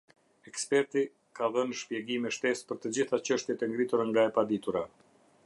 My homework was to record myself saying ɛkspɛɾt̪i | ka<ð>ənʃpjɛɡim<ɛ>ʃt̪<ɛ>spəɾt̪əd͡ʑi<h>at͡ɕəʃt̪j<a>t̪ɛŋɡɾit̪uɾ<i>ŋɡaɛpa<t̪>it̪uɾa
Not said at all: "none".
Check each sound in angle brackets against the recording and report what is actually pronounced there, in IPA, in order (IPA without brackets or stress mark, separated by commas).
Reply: ð, ɛ, ɛ, θ, ɛ, a, d̪